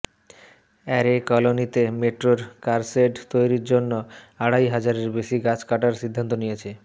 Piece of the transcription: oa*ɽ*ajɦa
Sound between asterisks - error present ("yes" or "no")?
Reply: no